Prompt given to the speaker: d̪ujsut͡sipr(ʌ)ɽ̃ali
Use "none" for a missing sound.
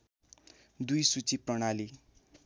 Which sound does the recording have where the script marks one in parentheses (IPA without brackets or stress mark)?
ʌ